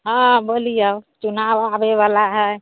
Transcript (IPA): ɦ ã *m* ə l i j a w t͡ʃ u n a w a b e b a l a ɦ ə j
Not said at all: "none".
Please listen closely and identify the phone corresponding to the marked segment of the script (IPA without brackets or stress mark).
b